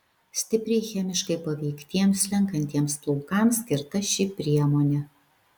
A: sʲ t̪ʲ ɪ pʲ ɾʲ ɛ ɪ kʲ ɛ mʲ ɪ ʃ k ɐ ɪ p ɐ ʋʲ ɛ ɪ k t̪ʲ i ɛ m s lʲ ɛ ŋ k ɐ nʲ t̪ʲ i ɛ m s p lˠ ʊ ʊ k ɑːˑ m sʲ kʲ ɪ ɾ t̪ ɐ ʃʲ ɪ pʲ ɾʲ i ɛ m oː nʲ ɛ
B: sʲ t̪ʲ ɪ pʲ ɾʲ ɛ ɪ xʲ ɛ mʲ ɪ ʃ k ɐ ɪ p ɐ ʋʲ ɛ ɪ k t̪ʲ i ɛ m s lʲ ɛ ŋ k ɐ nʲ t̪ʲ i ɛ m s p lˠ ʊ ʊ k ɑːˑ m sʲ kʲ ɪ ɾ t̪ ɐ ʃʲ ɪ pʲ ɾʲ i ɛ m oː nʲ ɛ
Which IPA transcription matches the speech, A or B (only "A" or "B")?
B